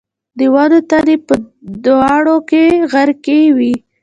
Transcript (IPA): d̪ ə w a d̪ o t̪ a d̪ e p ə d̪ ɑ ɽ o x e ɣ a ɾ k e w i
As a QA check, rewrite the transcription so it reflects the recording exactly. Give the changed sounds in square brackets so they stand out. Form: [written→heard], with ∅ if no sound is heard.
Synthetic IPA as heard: d̪ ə w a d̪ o t̪ a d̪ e p ə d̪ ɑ ɽ o [x→k] e ɣ a ɾ k e w i